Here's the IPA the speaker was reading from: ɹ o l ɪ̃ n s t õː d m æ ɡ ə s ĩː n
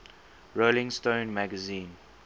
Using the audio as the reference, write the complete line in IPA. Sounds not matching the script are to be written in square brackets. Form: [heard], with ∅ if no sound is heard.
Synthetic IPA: ɹ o l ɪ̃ [ŋ] s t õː [n] m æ ɡ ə [z] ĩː n

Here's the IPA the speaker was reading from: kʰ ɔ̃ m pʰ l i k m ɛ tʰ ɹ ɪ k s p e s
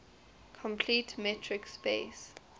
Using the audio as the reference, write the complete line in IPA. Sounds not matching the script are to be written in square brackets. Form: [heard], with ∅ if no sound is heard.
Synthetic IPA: kʰ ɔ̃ m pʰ l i [t] m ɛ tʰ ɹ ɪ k s p e s

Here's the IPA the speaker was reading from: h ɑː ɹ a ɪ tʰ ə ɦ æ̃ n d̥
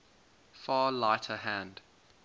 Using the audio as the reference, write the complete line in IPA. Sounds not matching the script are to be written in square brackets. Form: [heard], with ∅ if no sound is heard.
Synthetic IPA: [f] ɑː [l] a ɪ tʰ ə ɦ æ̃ n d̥

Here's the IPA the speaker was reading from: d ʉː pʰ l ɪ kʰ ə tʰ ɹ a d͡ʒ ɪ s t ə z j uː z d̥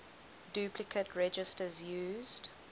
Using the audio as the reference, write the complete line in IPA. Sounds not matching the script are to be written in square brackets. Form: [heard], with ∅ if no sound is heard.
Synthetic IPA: d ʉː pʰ l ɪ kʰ ə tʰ ɹ [ɛ] d͡ʒ ɪ s t ə z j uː z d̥

